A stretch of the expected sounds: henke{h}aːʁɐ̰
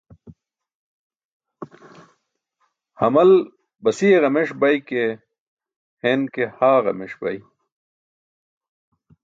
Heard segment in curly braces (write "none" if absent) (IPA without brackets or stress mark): h